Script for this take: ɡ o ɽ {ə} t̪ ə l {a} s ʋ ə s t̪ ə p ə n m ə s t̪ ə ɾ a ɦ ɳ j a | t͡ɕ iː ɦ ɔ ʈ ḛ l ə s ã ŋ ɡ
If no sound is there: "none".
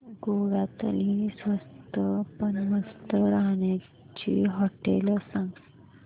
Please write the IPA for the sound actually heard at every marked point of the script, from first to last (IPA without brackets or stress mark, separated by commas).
a, i